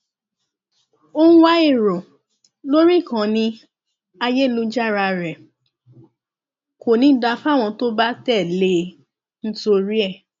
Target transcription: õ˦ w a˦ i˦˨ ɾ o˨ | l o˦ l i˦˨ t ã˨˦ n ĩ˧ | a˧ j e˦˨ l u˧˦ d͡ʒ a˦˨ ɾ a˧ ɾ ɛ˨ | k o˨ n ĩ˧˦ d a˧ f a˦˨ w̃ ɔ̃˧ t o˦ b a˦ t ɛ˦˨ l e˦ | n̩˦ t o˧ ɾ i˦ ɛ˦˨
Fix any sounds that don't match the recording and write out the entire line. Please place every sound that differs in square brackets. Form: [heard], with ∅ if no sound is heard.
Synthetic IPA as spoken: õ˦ w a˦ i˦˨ ɾ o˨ | l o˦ [ɾ] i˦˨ [k] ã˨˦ n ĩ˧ | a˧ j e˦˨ l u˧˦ d͡ʒ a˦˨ ɾ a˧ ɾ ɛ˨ | k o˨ n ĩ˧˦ d a˧ f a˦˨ w̃ ɔ̃˧ t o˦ b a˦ t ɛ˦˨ l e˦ | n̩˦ t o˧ ɾ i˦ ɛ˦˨